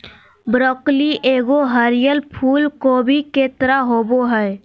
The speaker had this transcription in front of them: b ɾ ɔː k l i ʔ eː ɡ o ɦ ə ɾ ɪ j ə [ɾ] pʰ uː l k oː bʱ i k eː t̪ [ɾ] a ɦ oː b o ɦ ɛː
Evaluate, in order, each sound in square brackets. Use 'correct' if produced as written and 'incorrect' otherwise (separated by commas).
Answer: incorrect, correct